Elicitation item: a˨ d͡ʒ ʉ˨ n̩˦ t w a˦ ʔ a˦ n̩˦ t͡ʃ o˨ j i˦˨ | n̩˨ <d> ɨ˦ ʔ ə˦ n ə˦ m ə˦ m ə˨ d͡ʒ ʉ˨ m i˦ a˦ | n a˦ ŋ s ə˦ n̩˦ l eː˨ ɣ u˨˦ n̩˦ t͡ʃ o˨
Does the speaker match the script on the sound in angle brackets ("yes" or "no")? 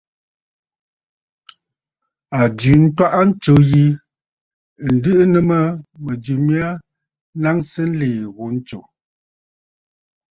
yes